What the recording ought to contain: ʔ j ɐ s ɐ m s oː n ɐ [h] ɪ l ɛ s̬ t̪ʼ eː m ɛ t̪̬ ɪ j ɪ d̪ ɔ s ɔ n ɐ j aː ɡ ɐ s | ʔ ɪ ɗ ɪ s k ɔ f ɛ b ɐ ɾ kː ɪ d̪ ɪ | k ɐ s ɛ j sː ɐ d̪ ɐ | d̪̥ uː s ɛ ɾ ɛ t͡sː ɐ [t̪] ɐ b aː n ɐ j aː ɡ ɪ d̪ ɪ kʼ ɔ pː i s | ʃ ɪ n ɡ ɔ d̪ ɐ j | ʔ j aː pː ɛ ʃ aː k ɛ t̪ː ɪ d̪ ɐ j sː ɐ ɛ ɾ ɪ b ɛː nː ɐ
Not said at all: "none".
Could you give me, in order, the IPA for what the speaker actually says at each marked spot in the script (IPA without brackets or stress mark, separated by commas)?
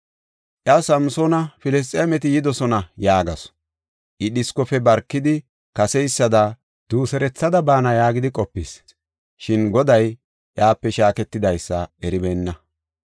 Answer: f, d̪